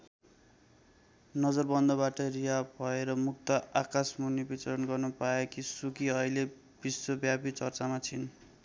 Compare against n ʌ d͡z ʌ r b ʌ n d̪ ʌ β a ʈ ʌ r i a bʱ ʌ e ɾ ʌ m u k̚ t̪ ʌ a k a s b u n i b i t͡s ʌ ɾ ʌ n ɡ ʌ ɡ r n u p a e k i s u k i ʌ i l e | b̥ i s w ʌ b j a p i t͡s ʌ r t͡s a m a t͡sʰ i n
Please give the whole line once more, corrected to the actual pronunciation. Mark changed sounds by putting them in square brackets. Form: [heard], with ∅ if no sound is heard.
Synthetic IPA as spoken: n ʌ d͡z ʌ r b ʌ n d̪ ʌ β a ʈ ʌ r i a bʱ ʌ e ɾ ʌ m u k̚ t̪ ʌ a k a s [m] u n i b i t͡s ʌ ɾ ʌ n ɡ ʌ [∅] r n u p a e k i s u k i ʌ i l e | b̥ i s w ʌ b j a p i t͡s ʌ r t͡s a m a t͡sʰ i n